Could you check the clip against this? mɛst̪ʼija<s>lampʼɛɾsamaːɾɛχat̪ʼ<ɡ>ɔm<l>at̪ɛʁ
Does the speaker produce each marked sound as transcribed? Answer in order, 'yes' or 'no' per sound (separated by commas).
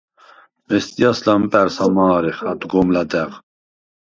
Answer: yes, yes, yes